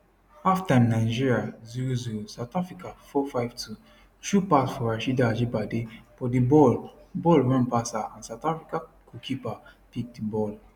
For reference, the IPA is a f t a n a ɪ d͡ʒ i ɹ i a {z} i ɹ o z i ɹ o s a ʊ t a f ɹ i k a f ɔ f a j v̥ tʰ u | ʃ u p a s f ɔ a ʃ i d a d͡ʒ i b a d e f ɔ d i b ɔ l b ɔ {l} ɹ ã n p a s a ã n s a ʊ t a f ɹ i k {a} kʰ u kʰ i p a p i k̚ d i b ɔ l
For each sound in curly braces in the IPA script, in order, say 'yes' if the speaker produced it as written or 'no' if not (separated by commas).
yes, yes, yes